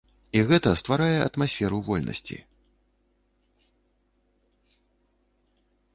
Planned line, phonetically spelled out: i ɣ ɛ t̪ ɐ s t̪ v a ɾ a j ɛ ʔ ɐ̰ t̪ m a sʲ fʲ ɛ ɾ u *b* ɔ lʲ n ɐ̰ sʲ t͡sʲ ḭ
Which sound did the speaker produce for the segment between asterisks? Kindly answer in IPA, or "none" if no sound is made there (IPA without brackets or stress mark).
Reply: v